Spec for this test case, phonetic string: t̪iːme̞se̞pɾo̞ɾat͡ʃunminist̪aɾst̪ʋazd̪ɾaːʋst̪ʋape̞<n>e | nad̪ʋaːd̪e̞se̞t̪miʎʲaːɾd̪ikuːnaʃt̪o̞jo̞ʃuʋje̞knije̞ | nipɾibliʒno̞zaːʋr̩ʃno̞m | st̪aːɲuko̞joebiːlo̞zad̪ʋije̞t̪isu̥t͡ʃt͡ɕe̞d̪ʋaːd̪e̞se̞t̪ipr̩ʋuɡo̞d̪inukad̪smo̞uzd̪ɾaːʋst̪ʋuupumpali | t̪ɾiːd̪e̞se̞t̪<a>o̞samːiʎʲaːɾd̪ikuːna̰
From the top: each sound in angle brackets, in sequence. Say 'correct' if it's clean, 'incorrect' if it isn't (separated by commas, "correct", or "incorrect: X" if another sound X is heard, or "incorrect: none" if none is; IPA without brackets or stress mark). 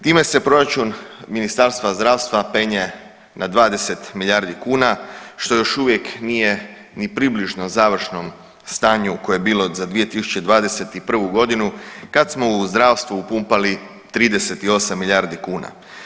incorrect: ɲ, incorrect: i